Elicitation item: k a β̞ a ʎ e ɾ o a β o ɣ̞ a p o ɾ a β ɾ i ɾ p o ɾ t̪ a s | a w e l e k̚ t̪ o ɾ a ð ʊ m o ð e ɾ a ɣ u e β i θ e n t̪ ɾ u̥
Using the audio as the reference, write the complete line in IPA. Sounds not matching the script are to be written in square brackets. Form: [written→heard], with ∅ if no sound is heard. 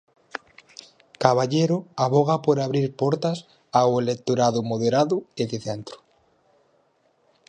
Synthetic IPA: k a β̞ a ʎ e ɾ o a β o ɣ̞ a p o ɾ a β ɾ i ɾ p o ɾ t̪ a s | a w e l e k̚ t̪ o ɾ a ð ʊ m o ð e ɾ a [ɣ→ð] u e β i θ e n t̪ ɾ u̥